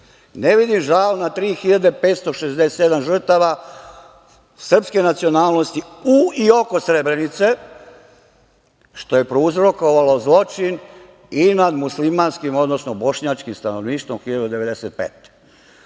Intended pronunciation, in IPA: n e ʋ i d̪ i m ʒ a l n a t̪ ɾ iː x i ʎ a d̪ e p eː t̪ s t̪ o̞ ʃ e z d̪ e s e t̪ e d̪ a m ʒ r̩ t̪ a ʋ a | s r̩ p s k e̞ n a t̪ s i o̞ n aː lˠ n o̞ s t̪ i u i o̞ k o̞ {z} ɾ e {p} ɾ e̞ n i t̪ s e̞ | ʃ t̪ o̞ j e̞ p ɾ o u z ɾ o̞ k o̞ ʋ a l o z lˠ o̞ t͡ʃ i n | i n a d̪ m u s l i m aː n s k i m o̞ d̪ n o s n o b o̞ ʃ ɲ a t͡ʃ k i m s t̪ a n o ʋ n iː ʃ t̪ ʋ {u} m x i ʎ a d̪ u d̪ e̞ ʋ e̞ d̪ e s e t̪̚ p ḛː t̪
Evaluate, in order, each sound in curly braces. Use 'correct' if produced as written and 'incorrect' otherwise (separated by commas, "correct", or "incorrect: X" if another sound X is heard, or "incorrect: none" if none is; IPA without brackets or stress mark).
incorrect: s, incorrect: b, incorrect: o